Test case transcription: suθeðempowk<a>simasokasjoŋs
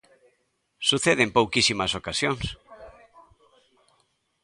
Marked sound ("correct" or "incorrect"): incorrect